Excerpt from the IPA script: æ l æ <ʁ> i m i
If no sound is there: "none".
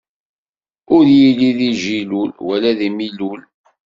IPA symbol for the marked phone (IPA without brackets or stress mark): ð